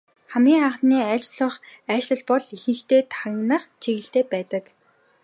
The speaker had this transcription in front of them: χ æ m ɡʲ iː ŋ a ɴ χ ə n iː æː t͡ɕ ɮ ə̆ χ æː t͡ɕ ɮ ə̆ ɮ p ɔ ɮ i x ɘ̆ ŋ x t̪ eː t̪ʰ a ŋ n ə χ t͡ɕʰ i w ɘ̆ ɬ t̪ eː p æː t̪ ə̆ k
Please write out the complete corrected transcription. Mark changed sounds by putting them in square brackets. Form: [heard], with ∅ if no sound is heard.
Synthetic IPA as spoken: χ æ m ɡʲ iː ŋ a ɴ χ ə n iː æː t͡ɕ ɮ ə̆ χ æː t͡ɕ ɮ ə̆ ɮ p ɔ ɮ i x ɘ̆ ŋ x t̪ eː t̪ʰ a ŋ n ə χ t͡ɕʰ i [ɣ] ɘ̆ ɬ t̪ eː p æː t̪ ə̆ k